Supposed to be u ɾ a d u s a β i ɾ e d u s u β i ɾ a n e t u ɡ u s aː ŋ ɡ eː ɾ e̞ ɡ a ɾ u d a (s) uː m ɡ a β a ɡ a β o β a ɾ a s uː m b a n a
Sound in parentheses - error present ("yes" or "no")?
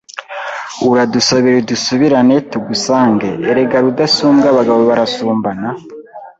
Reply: no